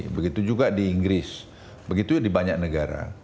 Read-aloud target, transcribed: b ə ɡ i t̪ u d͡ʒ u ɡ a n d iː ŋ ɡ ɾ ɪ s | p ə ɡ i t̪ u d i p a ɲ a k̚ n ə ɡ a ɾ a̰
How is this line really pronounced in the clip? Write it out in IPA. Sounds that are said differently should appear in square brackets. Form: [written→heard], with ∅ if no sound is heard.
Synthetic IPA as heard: b ə ɡ i t̪ u d͡ʒ u ɡ a [n→∅] d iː ŋ ɡ ɾ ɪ s | [p→b] ə ɡ i t̪ u d i [p→b] a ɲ a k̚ n ə ɡ a ɾ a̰